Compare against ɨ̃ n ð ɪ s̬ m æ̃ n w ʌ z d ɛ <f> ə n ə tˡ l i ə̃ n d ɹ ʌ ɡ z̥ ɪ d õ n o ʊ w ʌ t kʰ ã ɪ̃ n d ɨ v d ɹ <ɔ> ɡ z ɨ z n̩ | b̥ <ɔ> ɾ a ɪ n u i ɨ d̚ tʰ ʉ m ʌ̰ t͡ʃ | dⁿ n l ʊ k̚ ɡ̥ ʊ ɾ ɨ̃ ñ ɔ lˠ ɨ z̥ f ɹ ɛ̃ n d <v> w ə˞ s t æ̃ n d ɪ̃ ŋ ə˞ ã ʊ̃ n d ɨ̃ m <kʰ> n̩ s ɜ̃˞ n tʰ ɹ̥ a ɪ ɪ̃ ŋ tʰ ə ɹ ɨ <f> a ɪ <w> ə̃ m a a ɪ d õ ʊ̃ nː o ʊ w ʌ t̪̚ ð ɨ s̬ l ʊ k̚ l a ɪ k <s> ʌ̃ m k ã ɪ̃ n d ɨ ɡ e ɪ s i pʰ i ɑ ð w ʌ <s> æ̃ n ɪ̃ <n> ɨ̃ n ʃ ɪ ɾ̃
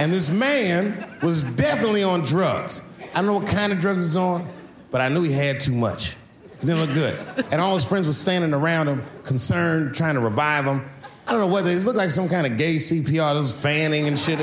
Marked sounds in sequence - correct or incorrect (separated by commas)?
correct, incorrect, incorrect, incorrect, correct, incorrect, incorrect, correct, incorrect, incorrect